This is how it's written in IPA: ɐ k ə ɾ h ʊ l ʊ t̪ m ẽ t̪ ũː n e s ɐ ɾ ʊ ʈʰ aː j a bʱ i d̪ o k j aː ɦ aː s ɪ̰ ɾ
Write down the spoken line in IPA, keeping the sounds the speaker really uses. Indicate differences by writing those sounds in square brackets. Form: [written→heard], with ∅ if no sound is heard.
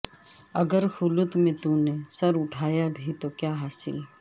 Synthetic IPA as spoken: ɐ [k→ɡ] ə ɾ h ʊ l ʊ t̪ m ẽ t̪ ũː n e s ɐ ɾ ʊ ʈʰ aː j a bʱ i [d̪→t̪] o k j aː ɦ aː s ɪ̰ [ɾ→l]